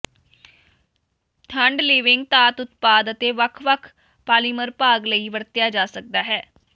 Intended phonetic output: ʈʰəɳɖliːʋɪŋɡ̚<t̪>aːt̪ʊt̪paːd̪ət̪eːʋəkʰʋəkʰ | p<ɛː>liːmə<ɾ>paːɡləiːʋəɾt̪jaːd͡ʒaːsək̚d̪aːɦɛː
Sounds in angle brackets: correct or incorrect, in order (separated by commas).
correct, incorrect, correct